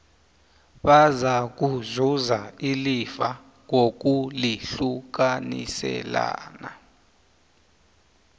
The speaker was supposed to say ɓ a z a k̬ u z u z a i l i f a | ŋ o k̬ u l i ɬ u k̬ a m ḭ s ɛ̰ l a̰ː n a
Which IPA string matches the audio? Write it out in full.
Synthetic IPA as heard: ɓ a z a k̬ u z u z a i l i f a | ŋ o k̬ u l i ɬ u k̬ a n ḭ s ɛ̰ l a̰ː n a